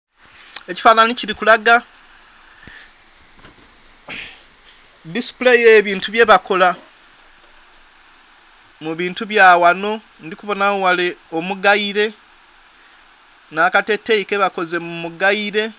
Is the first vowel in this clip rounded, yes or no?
no